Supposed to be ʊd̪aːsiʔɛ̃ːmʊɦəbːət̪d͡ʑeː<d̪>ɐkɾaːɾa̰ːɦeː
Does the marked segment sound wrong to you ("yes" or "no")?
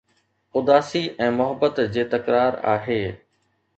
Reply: yes